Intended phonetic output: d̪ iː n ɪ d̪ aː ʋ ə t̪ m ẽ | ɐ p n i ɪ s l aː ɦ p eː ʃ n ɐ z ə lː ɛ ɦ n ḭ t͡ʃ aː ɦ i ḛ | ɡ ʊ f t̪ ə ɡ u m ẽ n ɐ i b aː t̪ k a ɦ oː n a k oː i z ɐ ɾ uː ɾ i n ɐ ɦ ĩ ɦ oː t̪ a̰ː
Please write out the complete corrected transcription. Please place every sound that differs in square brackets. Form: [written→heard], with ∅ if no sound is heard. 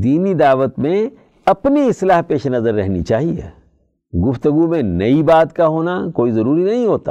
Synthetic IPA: d̪ iː n [ɪ→i] d̪ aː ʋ ə t̪ m ẽ | ɐ p n i ɪ s l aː ɦ p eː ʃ n ɐ z ə [lː→ɾː] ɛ ɦ n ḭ t͡ʃ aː ɦ i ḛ | ɡ ʊ f t̪ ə ɡ u m ẽ n ɐ i b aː t̪ k a ɦ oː n a k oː i z ɐ ɾ uː ɾ i n ɐ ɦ ĩ ɦ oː t̪ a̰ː